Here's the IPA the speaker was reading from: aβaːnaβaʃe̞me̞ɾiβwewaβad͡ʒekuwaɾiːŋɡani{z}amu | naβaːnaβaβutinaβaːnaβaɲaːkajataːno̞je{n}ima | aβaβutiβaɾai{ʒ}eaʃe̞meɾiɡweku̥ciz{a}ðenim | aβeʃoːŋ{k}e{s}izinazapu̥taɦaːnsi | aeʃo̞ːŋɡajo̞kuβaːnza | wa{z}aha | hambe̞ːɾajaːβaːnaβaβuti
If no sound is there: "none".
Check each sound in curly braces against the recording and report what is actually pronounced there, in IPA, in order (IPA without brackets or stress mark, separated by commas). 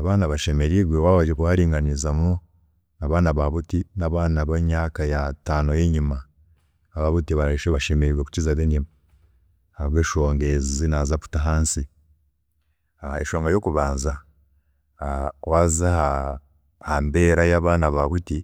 z, ɲ, ʃ, a, ɡ, z, z